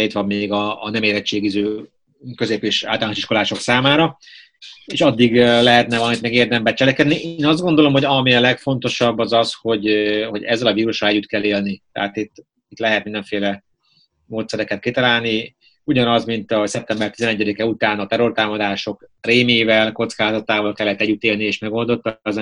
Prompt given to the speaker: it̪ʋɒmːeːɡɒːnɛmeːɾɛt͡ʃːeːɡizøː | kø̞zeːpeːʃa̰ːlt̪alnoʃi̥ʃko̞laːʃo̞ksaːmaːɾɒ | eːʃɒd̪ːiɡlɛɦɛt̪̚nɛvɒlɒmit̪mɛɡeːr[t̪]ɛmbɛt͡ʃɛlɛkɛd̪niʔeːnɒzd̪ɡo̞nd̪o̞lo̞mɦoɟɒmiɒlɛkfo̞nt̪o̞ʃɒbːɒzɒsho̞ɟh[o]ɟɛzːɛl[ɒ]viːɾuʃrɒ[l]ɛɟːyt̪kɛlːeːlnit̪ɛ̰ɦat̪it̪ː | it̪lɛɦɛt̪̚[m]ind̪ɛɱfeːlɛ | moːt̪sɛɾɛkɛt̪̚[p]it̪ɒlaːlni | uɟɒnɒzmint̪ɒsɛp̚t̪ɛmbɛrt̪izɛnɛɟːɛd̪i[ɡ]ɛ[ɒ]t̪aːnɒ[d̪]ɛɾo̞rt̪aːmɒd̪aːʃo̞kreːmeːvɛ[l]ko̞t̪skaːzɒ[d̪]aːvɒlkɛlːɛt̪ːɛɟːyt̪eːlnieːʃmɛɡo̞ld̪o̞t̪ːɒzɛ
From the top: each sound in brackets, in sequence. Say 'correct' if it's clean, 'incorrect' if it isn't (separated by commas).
incorrect, correct, correct, correct, correct, incorrect, incorrect, incorrect, incorrect, correct, incorrect